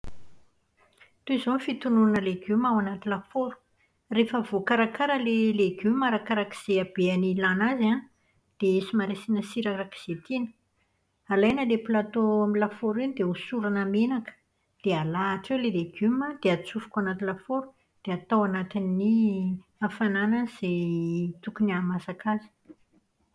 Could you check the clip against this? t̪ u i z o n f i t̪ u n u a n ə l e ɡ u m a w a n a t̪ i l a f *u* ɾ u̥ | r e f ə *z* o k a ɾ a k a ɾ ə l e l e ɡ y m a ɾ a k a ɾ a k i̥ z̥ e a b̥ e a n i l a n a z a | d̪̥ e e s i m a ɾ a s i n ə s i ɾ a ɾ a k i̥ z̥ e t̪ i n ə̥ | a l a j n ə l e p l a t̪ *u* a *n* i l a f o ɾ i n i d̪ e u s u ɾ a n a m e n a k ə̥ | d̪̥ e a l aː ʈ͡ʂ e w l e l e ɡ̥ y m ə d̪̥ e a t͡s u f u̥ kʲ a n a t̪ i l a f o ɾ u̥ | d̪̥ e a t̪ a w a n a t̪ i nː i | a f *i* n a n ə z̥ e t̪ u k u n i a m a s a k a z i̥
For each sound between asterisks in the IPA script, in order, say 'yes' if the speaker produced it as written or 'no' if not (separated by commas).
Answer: no, no, no, no, no